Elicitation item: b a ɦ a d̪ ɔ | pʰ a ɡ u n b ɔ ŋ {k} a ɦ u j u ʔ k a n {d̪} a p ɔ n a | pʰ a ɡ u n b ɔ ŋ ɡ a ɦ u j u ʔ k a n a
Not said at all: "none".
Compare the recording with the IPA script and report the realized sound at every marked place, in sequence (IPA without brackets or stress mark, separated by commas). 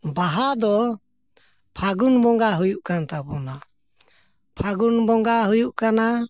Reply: ɡ, t̪